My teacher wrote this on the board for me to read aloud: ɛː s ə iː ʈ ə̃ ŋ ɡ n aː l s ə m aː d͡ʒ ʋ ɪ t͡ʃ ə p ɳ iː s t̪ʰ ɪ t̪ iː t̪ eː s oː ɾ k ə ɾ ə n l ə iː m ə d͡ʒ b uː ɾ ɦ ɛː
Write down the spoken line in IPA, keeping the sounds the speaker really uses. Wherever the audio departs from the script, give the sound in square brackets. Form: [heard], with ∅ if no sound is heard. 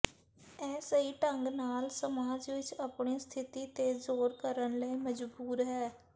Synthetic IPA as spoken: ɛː s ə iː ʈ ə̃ ŋ ɡ n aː l s ə m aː d͡ʒ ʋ ɪ t͡ʃ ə p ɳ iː s t̪ʰ ɪ t̪ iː t̪ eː [z] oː ɾ k ə ɾ ə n l ə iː m ə d͡ʒ b uː ɾ ɦ ɛː